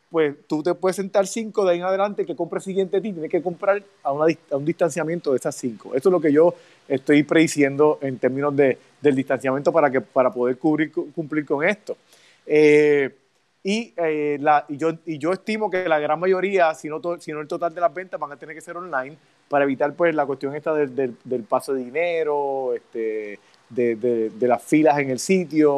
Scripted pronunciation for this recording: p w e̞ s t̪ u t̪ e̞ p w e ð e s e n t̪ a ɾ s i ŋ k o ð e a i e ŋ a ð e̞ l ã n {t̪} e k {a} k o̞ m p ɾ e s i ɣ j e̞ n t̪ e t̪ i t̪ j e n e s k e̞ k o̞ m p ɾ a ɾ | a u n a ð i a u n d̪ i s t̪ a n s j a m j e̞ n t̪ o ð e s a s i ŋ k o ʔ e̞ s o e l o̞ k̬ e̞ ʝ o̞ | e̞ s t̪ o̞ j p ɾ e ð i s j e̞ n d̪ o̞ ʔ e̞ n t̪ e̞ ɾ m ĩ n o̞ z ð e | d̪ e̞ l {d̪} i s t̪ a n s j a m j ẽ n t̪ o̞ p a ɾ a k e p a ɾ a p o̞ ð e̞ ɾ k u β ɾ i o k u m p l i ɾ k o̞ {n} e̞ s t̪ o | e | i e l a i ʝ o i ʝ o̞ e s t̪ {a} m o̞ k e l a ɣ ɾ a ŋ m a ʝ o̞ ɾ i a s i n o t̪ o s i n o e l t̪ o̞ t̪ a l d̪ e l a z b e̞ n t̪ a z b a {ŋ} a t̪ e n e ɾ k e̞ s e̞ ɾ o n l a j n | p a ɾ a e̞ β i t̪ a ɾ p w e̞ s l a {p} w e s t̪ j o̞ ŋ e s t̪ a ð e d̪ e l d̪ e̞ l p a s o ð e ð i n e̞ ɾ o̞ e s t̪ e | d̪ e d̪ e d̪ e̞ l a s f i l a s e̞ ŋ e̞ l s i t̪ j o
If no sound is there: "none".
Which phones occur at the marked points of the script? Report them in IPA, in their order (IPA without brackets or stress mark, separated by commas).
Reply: t̪, e, d̪, ŋ, i, ŋ, k